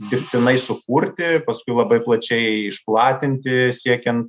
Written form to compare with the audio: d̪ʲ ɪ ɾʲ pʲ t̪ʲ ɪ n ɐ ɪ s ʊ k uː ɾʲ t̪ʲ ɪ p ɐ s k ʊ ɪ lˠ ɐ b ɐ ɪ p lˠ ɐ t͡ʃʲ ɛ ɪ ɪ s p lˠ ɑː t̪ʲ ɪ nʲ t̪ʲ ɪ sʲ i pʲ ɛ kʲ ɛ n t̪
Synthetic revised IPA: d̪ʲ ɪ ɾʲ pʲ t̪ʲ ɪ n ɐ ɪ s ʊ k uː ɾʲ t̪ʲ ɪ p ɐ s k ʊ ɪ lˠ ɐ b ɐ ɪ p lˠ ɐ t͡ʃʲ ɛ ɪ ɪ ʃ p lˠ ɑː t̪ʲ ɪ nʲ t̪ʲ ɪ sʲ i ɛ kʲ ɛ n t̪